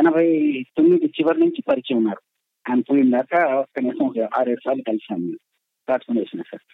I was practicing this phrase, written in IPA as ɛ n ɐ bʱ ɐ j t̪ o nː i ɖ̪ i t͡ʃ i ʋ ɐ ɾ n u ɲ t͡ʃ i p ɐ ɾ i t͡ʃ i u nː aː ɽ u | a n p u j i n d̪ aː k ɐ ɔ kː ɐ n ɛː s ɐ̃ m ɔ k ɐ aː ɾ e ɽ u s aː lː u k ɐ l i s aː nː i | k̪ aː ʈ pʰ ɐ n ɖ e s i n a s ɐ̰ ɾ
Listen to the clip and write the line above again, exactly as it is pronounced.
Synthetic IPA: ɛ n ɐ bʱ ɐ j t̪ o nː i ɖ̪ i t͡ʃ i ʋ ɐ ɾ n u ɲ t͡ʃ i p ɐ ɾ i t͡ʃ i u nː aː ɾ u | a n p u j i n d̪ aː k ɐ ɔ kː ɐ n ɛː s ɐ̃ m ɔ k ɐ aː ɾ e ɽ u s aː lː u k ɐ l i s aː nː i | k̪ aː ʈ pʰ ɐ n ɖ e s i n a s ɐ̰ ɾ